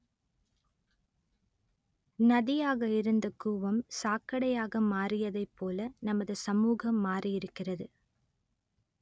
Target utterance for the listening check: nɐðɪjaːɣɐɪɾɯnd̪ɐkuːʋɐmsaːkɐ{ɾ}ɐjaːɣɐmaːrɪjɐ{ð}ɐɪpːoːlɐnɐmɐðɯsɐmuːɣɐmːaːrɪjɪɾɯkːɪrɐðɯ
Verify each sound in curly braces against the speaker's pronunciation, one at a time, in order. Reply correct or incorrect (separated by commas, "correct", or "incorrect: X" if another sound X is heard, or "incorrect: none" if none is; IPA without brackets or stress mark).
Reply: incorrect: ɽ, correct